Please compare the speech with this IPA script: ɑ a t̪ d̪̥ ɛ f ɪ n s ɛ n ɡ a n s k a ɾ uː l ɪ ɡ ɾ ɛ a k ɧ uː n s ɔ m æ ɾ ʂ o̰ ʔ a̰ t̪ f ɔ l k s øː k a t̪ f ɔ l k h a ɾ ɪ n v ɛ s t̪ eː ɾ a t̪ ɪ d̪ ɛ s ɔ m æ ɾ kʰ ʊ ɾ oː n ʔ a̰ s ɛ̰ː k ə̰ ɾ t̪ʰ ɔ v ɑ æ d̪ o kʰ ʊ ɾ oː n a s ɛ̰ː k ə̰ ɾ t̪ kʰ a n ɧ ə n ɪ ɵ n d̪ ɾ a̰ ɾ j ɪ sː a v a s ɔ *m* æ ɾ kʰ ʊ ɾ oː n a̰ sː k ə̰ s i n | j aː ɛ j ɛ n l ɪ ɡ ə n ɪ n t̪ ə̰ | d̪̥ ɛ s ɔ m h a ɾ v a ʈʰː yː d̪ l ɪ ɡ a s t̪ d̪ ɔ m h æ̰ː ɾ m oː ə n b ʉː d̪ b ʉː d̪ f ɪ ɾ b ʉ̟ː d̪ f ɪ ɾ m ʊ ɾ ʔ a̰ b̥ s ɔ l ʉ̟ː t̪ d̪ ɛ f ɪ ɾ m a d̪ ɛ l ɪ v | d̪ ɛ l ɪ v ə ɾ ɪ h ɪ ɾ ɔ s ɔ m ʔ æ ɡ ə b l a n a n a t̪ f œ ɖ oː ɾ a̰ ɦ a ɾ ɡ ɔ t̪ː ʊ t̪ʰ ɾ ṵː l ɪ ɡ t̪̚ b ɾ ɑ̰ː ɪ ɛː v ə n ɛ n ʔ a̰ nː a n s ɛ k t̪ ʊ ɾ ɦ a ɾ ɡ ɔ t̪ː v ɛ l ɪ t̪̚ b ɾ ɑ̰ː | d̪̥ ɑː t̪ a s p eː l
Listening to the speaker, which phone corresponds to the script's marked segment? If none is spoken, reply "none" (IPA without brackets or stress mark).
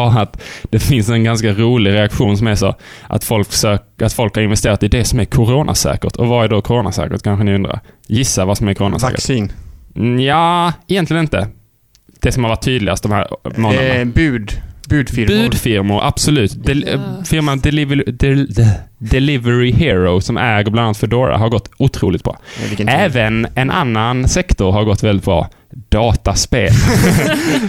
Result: m